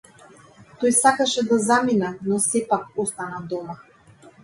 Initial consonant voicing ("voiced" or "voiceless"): voiceless